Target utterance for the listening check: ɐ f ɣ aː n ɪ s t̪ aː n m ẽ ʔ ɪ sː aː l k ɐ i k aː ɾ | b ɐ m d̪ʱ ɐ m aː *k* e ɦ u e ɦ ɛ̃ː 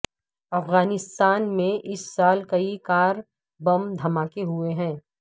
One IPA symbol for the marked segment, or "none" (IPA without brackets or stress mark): k